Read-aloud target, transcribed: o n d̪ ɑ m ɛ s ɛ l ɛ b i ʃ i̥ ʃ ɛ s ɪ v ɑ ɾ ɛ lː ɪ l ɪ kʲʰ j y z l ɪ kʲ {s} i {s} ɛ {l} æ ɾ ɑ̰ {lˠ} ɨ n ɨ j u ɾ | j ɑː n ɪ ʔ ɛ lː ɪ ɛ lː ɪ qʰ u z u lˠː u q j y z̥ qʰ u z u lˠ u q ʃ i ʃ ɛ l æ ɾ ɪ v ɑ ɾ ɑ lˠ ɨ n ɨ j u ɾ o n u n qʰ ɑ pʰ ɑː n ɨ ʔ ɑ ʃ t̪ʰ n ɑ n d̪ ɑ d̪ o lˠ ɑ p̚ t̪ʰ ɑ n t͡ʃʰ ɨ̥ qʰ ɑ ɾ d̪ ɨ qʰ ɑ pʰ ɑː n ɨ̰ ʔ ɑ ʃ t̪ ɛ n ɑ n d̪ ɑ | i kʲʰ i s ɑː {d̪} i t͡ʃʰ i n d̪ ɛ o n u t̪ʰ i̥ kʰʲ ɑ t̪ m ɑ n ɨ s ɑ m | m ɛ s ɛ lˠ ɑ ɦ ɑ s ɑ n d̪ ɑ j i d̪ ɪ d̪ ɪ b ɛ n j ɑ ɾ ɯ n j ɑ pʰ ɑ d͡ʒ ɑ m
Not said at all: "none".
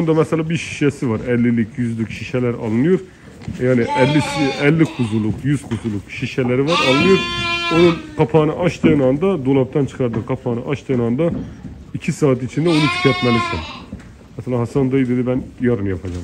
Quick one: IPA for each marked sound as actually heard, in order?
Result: ʃ, ʃ, l, lˠ, t̪

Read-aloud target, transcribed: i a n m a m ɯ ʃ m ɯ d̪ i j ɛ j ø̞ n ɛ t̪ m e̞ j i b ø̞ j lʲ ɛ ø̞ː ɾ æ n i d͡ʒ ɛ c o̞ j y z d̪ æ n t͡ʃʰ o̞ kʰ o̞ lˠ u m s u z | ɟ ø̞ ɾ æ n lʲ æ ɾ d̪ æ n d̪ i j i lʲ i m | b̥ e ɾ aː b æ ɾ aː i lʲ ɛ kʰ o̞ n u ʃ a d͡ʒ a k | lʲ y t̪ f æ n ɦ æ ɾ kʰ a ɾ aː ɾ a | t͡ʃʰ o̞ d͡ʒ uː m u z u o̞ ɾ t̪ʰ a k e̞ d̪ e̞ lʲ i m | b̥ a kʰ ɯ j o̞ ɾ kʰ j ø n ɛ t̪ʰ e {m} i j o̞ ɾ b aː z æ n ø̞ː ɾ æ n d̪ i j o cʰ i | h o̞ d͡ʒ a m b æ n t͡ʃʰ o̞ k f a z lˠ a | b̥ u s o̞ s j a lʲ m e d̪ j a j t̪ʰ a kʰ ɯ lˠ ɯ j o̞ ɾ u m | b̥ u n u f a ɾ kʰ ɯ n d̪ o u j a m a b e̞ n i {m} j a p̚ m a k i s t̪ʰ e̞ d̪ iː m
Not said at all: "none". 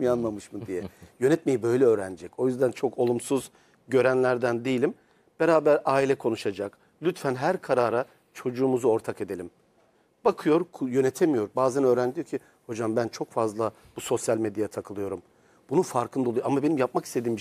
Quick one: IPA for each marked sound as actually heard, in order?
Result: m, m

